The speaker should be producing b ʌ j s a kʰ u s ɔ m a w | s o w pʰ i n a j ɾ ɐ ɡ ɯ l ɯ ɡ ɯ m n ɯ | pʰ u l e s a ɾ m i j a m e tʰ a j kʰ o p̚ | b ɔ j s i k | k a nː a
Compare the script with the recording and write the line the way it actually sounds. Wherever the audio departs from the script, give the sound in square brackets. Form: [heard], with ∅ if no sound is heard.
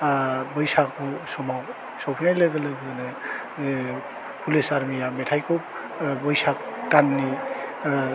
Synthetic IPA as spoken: b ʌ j s a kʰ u s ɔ m a w | s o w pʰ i n a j [l] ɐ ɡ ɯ l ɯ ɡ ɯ [∅] n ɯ | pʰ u l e s a ɾ m i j a m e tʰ a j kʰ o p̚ | b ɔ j s [a] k | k a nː [i]